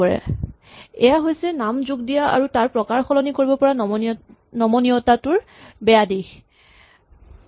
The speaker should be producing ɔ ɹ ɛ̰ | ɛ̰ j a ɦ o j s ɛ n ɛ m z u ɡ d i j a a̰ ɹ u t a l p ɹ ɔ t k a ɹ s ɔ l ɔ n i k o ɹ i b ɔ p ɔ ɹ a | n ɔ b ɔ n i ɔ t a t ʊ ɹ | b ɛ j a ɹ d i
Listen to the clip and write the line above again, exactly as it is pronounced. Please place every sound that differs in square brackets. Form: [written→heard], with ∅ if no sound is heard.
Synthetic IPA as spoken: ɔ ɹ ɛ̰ | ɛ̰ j a ɦ o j s ɛ n [ɛ→a] m z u ɡ d i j a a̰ ɹ u t a [l→ɹ] p ɹ ɔ [t→∅] k a ɹ [s→x] ɔ l ɔ n i k o ɹ i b ɔ p ɔ ɹ a | n ɔ [b→m] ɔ n i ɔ t a t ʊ ɹ | b ɛ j a [ɹ→∅] d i